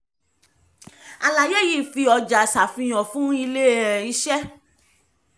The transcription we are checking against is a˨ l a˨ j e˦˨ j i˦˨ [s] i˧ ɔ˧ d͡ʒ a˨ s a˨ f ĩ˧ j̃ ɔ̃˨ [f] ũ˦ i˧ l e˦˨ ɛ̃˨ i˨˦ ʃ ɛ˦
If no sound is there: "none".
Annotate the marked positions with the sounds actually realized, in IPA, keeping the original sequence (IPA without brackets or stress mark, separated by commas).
f, f